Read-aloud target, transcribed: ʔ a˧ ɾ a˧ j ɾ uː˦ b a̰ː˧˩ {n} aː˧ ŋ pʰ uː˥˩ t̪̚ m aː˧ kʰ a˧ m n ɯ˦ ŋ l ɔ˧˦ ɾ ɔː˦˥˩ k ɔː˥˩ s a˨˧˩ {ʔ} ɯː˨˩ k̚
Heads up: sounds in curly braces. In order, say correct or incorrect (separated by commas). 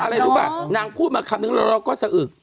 correct, correct